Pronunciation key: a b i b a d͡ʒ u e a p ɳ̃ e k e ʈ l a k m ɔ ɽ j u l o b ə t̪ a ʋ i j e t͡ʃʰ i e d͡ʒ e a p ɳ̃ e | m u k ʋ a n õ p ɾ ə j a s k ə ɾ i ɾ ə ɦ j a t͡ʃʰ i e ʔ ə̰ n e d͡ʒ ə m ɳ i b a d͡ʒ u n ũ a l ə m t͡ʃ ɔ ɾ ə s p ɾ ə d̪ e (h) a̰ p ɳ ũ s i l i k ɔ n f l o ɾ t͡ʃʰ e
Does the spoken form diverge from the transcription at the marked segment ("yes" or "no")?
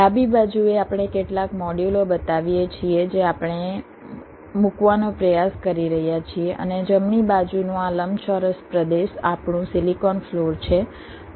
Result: yes